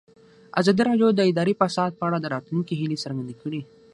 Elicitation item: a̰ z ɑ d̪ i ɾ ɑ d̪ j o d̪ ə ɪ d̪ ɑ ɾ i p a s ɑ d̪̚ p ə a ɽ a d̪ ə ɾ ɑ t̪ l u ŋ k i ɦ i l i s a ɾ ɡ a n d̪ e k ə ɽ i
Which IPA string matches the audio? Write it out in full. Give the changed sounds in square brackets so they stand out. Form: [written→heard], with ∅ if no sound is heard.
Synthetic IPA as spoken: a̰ z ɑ d̪ i ɾ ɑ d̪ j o d̪ ə ɪ d̪ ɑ ɾ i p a s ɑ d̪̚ p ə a ɽ a d̪ ə ɾ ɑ t̪ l u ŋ k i ɦ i l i s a ɾ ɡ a n d̪ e k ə ɽ i